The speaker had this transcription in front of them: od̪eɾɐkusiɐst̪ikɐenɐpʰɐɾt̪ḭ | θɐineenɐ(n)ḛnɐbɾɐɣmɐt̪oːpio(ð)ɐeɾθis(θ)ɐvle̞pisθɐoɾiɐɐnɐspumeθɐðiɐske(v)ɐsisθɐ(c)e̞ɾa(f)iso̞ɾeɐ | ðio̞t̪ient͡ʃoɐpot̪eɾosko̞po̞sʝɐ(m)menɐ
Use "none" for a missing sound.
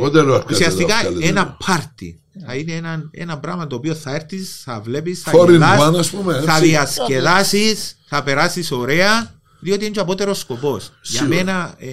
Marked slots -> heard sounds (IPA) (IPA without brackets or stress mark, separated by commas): n, θ, θ, ð, p, s, m